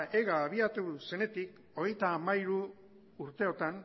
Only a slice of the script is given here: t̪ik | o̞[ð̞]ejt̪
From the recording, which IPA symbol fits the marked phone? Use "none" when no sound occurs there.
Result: ɣ̞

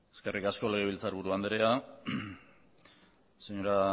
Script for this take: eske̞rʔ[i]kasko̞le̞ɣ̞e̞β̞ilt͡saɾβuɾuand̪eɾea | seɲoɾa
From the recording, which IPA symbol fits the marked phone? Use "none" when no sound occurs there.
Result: i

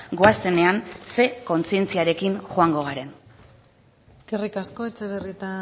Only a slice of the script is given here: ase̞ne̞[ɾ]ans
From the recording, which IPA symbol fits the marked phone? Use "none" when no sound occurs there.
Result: none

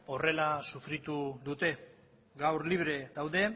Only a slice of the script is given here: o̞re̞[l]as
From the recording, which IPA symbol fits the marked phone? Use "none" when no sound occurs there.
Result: l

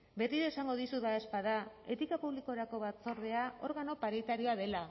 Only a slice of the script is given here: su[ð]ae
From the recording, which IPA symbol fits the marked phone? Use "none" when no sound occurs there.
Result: ð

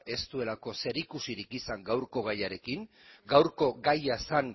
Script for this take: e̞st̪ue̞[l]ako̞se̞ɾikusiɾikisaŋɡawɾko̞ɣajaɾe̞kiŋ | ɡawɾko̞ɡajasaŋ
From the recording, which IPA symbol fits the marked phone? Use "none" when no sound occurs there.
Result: l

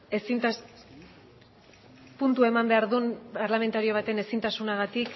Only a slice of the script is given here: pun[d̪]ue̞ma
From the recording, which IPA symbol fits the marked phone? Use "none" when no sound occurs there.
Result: t̪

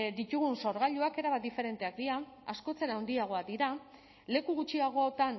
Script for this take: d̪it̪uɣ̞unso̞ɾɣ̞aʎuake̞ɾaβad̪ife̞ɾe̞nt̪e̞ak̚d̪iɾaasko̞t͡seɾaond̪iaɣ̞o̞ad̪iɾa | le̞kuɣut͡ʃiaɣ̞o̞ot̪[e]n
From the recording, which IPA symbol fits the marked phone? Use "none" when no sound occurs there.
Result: a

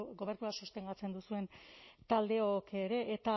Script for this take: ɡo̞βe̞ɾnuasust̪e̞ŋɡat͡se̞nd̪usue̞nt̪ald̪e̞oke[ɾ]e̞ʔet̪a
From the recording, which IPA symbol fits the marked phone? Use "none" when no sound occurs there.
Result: ɾ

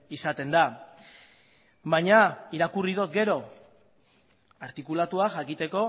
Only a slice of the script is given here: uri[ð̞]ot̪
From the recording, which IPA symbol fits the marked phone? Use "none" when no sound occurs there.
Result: ð̞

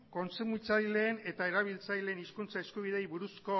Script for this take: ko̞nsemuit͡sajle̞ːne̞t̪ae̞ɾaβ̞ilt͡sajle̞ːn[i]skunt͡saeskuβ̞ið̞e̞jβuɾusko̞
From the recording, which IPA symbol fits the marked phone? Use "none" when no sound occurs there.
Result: i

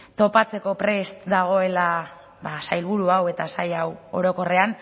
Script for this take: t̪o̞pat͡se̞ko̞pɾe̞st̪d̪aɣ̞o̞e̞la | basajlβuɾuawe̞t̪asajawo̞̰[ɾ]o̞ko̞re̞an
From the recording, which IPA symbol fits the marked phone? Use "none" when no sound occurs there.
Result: ɾ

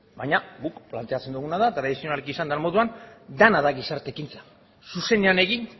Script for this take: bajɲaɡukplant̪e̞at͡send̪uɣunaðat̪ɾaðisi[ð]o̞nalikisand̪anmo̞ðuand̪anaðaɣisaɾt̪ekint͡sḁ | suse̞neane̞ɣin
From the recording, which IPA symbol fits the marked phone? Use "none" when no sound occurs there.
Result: none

